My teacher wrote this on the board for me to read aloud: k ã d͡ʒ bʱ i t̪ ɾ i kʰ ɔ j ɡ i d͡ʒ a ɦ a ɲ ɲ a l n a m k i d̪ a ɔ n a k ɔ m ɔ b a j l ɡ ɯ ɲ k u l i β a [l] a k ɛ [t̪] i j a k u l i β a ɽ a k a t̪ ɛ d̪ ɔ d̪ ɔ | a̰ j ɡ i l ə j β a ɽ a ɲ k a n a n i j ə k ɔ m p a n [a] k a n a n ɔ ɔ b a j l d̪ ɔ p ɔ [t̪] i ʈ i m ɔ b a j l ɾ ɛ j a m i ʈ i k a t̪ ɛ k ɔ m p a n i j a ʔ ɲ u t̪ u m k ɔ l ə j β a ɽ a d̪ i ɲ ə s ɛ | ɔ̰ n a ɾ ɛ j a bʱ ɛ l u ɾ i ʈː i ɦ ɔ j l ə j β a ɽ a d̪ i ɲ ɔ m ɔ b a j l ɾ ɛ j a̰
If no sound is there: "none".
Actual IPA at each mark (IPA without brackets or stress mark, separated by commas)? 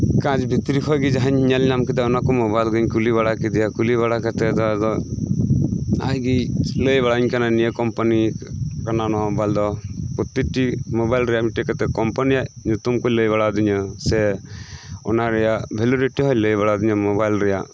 ɽ, d̪, i, t̪